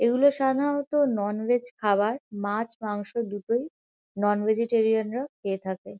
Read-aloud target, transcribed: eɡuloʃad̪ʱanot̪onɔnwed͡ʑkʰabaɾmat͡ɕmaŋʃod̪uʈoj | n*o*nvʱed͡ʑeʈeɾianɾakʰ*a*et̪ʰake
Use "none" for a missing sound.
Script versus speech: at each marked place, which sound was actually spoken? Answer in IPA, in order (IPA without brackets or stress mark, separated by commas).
ɔ, e